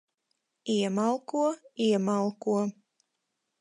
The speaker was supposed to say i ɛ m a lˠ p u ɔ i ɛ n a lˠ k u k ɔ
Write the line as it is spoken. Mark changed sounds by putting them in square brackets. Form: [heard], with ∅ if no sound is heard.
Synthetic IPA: i ɛ m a lˠ [k] u ɔ i ɛ [m] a lˠ k u [∅] ɔ